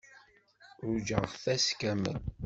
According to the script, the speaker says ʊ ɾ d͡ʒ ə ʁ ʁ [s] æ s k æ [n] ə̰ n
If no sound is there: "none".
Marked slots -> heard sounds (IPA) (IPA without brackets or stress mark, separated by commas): θ, m